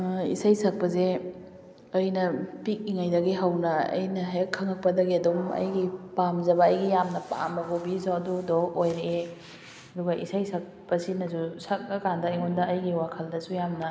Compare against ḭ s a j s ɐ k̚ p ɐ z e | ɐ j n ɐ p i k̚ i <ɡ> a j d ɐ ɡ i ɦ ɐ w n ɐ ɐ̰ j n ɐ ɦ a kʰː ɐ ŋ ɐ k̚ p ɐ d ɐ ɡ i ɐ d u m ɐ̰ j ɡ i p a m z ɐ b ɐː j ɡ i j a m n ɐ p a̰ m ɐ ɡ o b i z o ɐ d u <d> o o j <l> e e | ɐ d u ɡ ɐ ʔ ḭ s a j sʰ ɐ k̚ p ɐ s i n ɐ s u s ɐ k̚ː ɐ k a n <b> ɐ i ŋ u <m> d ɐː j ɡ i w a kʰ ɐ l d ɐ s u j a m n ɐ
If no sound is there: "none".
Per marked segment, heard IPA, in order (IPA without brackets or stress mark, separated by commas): ŋ, d, ɾ, d, n